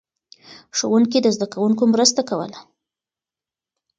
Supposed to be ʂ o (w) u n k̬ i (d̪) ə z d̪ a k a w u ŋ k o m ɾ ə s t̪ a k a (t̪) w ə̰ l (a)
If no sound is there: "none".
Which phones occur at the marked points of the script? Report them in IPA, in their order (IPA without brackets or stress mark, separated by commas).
w, d̪, none, a